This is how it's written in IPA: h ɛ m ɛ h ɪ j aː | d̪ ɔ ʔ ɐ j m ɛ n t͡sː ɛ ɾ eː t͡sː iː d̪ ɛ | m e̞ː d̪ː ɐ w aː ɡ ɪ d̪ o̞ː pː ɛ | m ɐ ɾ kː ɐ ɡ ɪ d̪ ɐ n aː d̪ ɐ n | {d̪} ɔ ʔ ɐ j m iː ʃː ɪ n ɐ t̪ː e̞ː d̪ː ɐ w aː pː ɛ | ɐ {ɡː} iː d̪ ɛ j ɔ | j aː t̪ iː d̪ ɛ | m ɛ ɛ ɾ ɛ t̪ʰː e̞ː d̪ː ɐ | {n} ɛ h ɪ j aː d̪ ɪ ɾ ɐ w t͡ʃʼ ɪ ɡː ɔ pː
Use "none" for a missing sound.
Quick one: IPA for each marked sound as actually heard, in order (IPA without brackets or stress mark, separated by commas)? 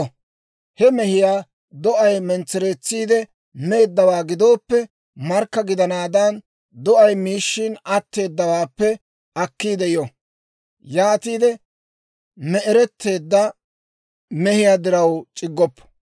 d̪, kː, m